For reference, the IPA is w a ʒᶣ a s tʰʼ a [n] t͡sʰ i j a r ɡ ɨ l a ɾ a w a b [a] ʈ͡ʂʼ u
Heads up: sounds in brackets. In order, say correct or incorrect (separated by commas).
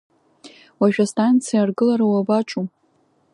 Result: correct, correct